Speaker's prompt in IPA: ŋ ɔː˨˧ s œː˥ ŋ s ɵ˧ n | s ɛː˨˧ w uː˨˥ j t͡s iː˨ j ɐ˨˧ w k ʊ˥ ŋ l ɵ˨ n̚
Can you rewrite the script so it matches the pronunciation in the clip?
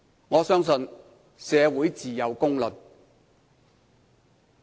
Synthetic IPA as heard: ŋ ɔː˨˧ s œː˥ ŋ s ɵ˧ n | s ɛː˨˧ w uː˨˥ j t͡s iː˨ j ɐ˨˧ w k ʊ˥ ŋ l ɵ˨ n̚